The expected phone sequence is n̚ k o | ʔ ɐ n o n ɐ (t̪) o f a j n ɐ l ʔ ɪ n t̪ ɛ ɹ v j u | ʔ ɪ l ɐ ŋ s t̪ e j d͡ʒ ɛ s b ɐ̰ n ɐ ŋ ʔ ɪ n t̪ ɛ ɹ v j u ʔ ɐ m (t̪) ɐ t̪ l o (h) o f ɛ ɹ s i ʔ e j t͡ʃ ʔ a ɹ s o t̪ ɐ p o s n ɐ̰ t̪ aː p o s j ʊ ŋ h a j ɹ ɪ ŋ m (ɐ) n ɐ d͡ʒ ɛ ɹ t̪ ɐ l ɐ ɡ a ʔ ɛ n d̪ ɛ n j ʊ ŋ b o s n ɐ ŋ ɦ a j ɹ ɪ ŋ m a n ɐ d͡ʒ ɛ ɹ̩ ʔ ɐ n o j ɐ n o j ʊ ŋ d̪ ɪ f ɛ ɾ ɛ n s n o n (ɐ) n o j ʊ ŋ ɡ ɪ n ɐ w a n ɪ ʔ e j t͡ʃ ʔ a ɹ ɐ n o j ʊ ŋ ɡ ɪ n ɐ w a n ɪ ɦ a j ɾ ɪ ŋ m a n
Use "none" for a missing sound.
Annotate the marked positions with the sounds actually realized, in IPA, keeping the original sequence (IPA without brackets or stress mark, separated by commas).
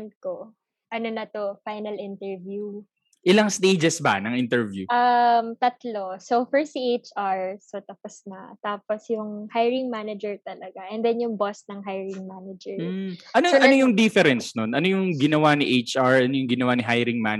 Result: t̪, t̪, s, a, ɐ